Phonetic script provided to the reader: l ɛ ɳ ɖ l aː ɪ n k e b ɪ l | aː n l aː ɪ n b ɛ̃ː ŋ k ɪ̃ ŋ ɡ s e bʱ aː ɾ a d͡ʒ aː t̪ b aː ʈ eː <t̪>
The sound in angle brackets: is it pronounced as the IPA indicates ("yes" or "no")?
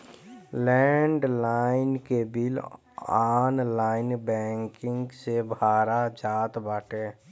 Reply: no